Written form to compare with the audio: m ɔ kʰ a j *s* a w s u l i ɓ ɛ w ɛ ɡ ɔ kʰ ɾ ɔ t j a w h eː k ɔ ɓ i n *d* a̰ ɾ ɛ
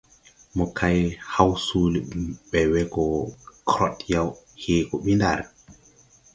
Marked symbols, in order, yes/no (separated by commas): no, yes